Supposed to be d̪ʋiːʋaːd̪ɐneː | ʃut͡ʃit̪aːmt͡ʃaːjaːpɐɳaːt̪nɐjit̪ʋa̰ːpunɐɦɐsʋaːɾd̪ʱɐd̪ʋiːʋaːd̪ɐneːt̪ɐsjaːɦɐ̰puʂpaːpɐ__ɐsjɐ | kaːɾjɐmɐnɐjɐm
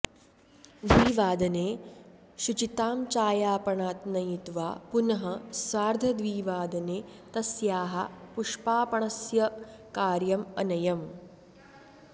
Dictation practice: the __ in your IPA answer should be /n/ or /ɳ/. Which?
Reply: ɳ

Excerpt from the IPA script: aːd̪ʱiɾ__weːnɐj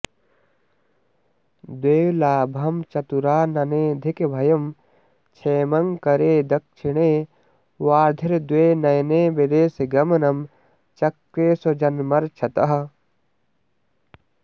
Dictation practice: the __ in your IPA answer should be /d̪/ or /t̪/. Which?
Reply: d̪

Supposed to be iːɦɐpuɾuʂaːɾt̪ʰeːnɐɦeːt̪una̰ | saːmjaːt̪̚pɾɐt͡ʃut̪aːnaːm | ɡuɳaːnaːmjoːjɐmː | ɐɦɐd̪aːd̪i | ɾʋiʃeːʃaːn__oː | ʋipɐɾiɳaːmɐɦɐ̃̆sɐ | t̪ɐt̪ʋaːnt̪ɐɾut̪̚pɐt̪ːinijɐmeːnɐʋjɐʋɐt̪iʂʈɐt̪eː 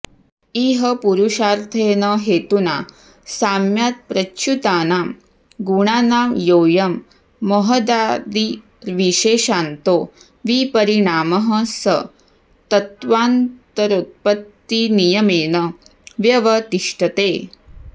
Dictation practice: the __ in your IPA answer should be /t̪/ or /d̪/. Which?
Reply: t̪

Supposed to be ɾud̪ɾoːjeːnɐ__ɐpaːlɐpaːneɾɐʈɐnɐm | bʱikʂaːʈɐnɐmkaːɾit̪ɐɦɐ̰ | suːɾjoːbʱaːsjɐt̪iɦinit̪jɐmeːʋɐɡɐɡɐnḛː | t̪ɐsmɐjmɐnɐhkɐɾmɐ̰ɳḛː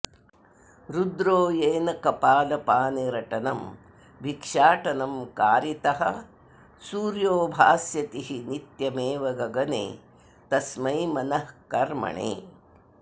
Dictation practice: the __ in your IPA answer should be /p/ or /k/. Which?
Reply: k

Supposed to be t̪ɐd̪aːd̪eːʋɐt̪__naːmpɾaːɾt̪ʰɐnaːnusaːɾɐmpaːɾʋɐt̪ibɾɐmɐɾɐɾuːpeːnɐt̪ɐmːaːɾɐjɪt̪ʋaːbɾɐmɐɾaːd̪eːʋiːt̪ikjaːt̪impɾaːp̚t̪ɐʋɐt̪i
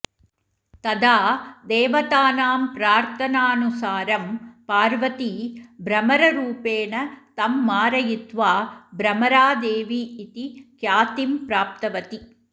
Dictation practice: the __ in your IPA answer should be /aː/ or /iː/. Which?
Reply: aː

